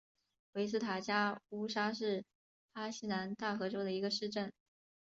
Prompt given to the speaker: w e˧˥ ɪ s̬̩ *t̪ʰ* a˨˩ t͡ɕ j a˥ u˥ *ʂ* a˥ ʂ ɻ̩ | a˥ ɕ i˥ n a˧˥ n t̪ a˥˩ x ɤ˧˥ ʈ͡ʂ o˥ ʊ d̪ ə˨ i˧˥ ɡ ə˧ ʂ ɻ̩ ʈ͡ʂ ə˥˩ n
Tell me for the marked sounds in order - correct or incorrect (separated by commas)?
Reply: correct, correct